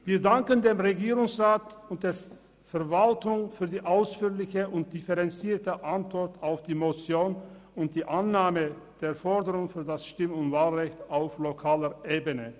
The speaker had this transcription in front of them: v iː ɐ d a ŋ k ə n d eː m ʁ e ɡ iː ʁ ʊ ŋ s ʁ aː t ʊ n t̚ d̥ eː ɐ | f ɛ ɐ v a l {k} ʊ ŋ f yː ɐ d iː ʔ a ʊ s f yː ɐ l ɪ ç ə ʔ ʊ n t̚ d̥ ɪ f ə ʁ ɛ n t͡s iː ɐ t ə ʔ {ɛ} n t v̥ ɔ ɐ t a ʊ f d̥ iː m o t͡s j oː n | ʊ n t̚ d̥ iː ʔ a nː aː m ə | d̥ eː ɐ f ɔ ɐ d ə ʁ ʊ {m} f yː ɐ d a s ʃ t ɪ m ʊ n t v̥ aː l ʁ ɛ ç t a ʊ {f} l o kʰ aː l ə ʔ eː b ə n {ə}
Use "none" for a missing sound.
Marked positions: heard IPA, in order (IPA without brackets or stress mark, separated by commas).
t, a, ŋ, f, ə